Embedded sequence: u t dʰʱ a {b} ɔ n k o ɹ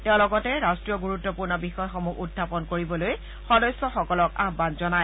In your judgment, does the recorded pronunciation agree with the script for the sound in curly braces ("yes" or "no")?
no